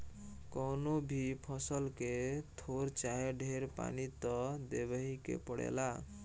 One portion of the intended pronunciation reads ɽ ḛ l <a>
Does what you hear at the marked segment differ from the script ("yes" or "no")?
no